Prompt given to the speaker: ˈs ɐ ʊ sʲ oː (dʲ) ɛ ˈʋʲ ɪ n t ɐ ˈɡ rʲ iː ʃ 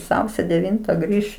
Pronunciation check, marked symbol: correct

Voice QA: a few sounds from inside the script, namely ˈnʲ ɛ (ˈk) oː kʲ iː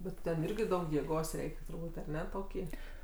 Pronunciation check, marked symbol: incorrect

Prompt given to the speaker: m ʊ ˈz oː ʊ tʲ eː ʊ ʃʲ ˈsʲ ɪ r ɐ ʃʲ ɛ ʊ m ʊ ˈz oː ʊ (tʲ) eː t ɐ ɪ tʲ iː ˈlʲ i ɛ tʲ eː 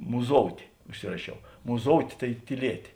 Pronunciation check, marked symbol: correct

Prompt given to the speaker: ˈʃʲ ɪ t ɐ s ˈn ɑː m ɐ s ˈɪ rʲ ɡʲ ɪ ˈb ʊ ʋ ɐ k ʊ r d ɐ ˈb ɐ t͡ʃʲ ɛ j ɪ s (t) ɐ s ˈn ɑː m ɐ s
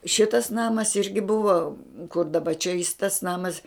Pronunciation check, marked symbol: correct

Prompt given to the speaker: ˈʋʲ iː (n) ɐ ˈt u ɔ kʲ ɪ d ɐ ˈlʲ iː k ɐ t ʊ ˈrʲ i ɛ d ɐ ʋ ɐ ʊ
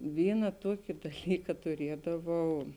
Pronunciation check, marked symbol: correct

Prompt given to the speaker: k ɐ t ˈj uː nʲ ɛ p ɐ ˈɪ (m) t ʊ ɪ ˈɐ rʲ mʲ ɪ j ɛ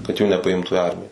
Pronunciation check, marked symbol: correct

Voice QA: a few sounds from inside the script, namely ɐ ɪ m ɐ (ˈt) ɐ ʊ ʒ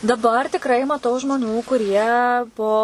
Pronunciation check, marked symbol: correct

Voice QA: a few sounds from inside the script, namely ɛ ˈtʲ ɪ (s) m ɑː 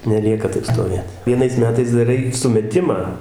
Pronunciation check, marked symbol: incorrect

